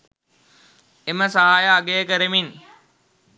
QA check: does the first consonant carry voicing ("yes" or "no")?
yes